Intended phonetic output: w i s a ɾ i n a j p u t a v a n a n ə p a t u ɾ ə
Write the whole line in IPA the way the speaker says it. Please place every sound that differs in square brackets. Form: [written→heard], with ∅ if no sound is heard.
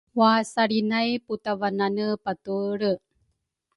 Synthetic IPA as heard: w [i→a] s a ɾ i n a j p u t a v a n a n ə p a t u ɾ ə